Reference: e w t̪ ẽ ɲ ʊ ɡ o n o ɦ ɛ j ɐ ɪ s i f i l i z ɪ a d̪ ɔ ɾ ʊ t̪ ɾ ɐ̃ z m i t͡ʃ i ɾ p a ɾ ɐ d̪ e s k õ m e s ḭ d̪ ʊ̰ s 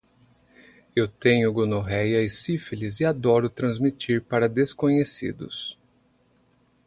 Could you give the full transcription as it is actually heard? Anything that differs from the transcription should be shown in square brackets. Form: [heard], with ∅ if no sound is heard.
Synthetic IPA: e w t̪ ẽ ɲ ʊ ɡ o n o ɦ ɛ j ɐ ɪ s i f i l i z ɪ a d̪ ɔ ɾ ʊ t̪ ɾ ɐ̃ z m i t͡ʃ i ɾ p a ɾ ɐ d̪ e s k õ [ɲ] e s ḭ d̪ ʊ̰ s